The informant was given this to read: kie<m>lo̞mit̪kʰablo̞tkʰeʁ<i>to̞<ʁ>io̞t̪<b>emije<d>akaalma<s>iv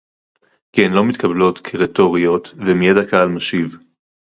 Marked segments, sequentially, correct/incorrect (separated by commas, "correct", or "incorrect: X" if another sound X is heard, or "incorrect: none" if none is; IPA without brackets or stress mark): incorrect: n, incorrect: e, correct, incorrect: v, correct, incorrect: ʃ